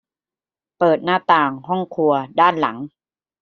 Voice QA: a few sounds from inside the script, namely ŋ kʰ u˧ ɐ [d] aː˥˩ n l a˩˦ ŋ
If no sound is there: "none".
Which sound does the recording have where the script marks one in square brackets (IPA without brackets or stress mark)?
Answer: d